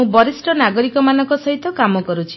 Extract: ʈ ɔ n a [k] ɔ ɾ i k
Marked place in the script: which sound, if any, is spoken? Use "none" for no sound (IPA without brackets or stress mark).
ɡ